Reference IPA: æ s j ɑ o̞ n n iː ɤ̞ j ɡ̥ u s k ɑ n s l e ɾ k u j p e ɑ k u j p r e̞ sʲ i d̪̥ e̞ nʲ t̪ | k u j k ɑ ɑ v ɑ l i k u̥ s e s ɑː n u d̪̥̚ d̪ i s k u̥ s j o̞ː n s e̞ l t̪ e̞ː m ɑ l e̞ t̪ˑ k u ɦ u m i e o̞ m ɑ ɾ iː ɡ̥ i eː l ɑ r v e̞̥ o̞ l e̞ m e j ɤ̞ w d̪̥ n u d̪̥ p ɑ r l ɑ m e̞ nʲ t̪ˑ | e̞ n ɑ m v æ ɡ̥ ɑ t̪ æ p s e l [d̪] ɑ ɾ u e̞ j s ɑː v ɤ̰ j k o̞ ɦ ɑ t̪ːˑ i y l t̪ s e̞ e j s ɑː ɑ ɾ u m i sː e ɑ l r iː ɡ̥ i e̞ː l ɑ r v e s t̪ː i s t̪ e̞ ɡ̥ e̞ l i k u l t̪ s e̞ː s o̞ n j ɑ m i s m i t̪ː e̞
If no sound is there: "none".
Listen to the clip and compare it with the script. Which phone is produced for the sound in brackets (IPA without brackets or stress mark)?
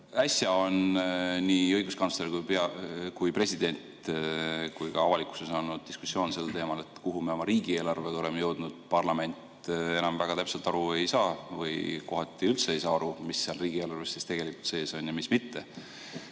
t̪